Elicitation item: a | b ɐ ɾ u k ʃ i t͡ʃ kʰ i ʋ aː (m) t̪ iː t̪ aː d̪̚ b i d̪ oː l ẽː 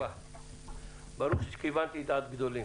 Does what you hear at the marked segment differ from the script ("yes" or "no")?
yes